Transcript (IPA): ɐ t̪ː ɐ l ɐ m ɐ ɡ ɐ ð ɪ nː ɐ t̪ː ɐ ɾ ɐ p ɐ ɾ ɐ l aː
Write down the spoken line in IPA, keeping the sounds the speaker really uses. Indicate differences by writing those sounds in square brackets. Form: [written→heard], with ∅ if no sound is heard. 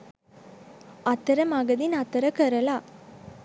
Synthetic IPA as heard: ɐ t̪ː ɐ [l→ɾ] ɐ m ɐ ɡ ɐ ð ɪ [nː→n] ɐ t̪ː ɐ ɾ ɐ [p→k] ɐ ɾ ɐ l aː